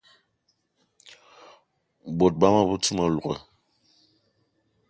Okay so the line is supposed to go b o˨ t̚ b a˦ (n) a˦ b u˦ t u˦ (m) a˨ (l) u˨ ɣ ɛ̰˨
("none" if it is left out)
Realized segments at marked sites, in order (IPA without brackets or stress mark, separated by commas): m, m, l